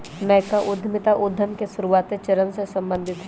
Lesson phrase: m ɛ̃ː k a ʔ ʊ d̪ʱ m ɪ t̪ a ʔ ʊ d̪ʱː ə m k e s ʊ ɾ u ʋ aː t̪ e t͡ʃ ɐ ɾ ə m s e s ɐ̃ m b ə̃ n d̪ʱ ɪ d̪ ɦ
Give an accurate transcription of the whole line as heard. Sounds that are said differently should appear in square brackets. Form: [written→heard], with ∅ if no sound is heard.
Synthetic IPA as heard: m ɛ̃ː k a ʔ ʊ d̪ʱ m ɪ t̪ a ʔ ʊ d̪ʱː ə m k e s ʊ ɾ u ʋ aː t̪ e t͡ʃ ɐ ɾ ə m s e s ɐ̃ m b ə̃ n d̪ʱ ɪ [d̪→t̪] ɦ